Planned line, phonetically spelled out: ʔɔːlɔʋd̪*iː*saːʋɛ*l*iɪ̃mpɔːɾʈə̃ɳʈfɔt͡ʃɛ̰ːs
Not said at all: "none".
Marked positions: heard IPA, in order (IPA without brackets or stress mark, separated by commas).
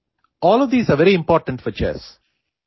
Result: iː, ɾ